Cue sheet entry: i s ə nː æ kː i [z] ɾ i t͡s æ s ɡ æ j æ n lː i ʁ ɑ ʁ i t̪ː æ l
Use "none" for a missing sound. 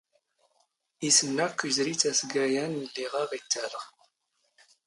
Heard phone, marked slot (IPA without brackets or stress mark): z